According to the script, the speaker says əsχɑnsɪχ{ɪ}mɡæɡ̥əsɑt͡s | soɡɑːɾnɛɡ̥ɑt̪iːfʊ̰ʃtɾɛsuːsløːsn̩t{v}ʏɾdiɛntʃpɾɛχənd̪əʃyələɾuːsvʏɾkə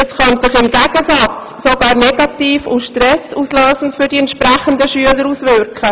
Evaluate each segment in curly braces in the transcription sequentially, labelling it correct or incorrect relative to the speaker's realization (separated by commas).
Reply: correct, incorrect